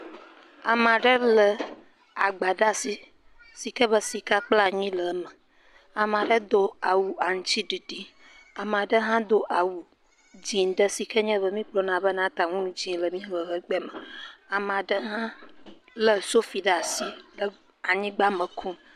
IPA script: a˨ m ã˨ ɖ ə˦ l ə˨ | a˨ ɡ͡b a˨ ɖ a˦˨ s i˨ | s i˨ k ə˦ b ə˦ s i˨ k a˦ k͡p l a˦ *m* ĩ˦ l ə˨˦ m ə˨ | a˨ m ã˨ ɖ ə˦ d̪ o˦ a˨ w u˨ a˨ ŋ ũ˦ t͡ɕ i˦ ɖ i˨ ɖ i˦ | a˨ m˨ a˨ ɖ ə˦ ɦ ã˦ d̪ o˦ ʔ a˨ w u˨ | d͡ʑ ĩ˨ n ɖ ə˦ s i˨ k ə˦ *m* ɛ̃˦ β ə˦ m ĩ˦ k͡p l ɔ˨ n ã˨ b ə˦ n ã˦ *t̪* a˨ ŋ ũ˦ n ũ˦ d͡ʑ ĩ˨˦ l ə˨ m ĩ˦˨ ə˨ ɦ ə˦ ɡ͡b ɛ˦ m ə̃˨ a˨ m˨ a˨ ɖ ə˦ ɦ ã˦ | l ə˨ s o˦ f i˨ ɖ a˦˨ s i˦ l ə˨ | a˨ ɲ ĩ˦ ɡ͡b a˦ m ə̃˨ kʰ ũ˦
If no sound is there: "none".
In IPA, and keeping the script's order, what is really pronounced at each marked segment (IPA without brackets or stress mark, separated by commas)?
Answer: ɲ, ɲ, t̪